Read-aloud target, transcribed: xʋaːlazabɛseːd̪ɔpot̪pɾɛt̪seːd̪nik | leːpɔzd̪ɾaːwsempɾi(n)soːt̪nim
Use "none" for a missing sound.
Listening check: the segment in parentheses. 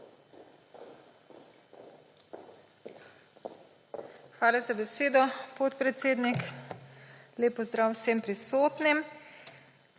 none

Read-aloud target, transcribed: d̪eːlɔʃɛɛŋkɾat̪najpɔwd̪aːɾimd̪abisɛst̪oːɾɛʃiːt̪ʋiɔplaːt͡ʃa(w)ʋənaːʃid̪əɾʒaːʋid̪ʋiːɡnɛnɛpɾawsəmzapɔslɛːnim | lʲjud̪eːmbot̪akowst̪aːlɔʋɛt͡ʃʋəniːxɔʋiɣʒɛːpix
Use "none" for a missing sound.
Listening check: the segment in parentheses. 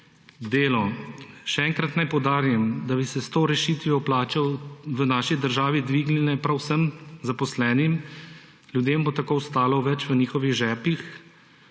w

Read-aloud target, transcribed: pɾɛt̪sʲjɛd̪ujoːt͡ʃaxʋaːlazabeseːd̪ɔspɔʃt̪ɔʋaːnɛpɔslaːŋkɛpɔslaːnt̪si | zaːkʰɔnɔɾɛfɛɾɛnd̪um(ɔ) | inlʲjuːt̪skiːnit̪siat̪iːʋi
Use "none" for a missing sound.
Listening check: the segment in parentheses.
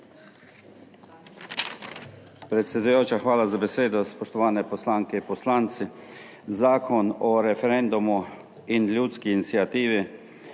u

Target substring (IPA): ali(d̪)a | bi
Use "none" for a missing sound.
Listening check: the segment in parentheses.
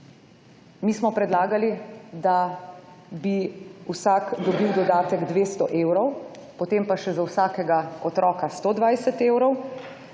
d̪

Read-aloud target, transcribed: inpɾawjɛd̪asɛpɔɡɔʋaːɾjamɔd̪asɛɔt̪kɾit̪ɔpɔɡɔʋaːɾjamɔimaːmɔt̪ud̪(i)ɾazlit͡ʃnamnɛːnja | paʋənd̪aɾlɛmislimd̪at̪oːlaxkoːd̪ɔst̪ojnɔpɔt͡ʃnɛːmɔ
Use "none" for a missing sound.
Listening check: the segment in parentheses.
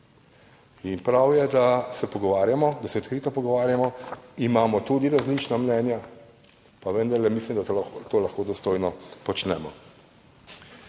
i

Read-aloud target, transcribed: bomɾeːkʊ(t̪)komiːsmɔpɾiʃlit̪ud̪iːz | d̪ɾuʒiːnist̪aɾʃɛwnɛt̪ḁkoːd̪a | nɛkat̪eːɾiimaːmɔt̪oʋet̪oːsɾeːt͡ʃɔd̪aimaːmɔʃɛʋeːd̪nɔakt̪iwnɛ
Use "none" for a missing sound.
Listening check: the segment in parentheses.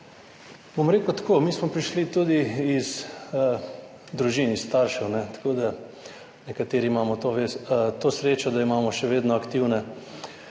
t̪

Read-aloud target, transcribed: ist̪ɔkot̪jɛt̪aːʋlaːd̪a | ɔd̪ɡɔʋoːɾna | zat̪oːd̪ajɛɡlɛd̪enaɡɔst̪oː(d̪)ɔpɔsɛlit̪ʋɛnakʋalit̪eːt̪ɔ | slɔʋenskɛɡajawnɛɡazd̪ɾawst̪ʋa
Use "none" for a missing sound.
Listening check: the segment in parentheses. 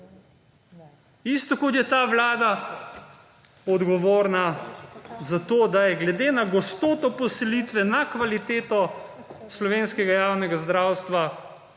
t̪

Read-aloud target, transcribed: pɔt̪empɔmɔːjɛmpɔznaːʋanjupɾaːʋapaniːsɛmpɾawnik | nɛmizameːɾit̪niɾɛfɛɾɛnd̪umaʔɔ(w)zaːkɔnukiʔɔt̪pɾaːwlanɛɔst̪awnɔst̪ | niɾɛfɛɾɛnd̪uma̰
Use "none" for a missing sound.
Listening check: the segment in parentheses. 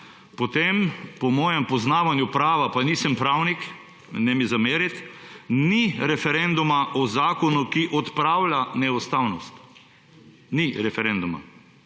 none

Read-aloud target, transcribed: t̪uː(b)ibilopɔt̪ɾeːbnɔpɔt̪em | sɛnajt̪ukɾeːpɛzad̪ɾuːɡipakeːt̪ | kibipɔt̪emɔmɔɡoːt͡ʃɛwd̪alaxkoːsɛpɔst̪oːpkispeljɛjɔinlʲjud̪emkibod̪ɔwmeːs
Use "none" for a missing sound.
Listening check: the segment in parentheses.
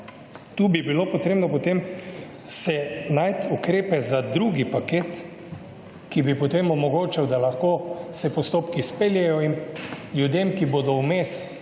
b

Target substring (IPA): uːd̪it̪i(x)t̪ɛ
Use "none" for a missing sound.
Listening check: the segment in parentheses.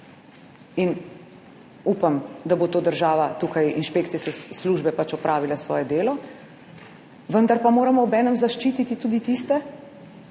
s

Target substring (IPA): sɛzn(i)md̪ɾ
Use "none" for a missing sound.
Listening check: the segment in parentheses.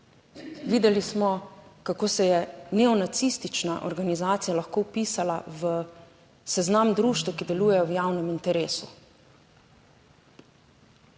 a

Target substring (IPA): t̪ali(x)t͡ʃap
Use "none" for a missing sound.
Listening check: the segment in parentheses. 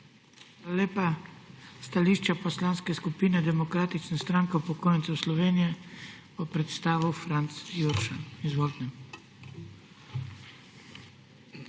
ʃ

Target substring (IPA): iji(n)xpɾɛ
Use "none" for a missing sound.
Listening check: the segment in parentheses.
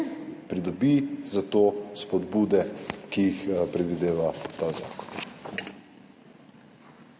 none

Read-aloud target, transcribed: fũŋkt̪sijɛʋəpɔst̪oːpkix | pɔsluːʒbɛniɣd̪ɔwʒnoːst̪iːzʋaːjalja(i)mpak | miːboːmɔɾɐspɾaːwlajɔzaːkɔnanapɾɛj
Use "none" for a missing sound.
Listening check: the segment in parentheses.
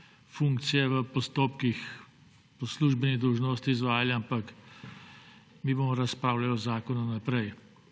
a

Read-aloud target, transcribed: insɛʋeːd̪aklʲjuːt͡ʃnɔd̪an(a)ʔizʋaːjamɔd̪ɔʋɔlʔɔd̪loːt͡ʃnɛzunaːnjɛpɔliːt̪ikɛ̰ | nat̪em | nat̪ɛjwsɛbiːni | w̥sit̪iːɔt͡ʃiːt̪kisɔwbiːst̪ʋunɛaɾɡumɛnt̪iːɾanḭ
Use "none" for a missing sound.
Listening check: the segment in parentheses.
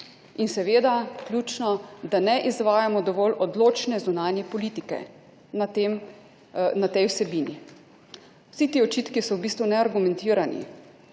ɛ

